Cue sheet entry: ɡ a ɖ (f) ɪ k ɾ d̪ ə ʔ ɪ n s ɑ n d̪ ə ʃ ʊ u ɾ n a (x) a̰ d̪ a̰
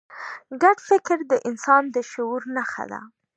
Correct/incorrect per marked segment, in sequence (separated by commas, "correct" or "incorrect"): correct, correct